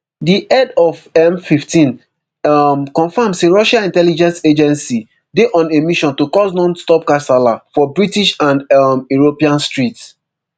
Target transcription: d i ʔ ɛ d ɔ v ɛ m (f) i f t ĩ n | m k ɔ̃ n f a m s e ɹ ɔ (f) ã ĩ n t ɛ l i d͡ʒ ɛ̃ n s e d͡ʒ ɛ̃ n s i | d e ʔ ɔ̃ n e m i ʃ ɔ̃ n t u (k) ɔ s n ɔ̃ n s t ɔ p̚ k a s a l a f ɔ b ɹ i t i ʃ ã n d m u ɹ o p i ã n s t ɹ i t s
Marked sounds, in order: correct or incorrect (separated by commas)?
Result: correct, incorrect, correct